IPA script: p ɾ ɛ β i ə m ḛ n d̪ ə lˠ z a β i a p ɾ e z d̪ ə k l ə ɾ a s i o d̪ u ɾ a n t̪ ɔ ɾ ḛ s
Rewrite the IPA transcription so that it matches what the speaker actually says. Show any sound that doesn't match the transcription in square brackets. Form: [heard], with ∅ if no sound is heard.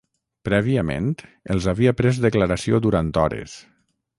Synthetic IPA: p ɾ ɛ β i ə m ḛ n [t̪] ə lˠ z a β i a p ɾ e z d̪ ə k l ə ɾ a s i o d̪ u ɾ a n t̪ ɔ ɾ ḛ s